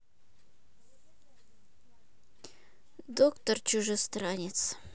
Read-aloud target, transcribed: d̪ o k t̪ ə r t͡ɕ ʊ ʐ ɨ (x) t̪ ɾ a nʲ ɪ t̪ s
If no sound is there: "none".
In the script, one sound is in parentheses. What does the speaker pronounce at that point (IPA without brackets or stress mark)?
s